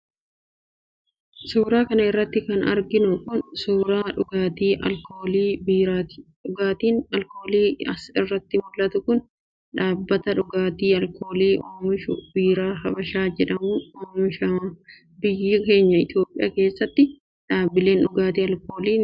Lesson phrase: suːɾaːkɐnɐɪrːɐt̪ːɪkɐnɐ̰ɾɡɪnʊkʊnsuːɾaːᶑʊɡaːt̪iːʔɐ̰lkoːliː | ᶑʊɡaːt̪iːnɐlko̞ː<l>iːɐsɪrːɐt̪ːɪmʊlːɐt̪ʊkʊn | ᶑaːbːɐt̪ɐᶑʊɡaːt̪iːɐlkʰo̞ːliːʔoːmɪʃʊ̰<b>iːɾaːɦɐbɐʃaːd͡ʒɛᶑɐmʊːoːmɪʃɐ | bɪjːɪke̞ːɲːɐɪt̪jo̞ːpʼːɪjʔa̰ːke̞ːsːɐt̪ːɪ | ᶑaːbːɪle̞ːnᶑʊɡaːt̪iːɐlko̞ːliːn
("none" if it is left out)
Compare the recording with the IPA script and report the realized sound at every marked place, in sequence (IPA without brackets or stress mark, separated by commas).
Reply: l, b